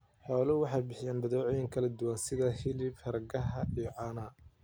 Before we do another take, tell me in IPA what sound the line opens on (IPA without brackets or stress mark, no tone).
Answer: ħ